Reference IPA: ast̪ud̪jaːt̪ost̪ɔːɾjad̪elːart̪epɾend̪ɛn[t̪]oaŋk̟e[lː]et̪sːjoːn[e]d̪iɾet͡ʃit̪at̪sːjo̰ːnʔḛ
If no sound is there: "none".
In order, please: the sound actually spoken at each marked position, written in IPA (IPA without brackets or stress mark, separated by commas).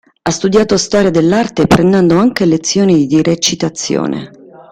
d̪, l, i